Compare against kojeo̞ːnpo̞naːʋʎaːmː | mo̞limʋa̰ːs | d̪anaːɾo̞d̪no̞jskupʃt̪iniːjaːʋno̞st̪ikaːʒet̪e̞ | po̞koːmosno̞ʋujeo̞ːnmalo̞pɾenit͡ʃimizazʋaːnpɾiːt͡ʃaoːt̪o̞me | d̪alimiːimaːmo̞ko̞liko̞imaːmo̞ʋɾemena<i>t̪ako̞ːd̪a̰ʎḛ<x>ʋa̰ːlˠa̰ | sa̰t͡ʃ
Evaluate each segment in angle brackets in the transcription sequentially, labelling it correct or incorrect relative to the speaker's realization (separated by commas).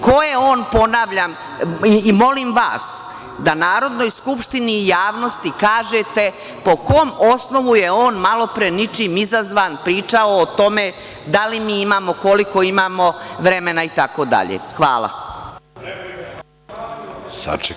correct, correct